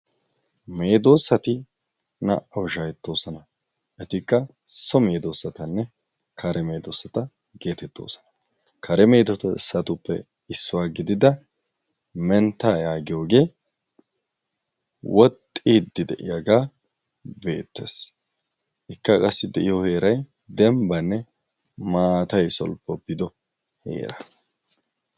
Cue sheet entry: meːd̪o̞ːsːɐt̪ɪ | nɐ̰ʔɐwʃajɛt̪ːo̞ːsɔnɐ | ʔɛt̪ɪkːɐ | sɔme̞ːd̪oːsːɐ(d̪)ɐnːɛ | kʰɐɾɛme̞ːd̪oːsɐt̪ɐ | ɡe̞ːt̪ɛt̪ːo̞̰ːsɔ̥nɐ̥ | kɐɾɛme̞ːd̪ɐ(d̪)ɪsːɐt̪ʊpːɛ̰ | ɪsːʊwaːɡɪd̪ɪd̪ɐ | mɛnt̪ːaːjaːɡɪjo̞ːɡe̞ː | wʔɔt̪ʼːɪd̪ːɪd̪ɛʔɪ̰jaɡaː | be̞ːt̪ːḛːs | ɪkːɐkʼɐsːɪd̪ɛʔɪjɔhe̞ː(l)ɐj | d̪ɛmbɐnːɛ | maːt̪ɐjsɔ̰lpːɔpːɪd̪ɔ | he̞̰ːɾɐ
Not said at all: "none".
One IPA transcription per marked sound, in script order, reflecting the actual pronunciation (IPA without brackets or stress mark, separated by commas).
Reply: t̪, t̪, ɾ